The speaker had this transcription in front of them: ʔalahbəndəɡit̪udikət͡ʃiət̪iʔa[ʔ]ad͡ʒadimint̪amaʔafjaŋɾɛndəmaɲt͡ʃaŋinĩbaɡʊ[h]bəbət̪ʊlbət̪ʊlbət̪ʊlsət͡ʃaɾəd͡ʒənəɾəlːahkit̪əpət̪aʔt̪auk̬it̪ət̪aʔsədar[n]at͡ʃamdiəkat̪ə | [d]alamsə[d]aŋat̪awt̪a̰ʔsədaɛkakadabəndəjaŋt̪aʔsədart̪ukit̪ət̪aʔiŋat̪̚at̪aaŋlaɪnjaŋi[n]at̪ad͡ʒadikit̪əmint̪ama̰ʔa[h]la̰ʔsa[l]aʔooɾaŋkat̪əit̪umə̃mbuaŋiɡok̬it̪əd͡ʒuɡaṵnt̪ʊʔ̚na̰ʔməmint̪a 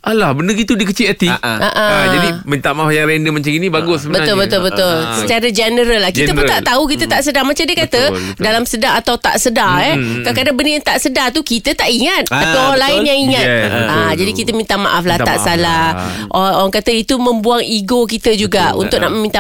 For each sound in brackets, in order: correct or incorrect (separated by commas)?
correct, incorrect, incorrect, correct, correct, incorrect, incorrect, correct